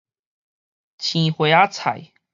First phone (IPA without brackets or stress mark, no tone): t͡ɕʰ